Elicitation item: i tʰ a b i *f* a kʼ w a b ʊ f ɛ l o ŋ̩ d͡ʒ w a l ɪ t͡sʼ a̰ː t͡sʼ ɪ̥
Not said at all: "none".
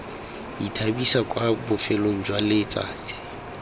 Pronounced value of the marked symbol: s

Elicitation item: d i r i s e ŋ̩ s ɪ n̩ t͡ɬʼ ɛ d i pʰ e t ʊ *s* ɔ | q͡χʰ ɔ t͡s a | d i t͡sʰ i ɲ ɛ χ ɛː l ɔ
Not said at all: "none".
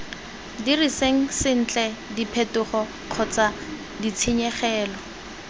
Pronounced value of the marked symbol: χ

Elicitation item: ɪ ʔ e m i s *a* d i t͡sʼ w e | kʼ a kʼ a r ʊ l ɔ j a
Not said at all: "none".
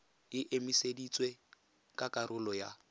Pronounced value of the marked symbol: e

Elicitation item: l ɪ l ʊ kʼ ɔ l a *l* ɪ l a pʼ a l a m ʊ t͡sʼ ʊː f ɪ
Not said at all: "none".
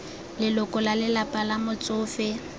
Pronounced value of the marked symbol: l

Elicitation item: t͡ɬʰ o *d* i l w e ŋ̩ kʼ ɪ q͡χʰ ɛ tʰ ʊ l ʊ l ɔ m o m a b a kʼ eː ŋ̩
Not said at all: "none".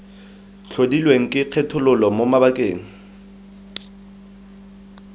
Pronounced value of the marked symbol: d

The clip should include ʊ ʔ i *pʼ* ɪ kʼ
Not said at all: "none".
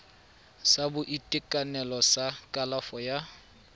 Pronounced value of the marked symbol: tʼ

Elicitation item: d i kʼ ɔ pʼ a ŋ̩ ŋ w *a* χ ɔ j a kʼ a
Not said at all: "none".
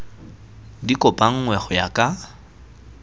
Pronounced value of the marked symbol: ɛ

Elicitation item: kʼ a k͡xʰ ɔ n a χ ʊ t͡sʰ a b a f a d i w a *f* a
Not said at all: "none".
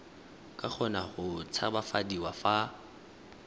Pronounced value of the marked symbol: f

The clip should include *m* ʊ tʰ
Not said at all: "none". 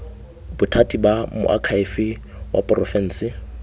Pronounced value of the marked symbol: b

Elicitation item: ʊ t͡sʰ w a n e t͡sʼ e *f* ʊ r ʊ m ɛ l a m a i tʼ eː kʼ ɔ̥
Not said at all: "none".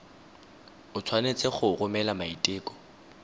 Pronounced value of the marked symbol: χ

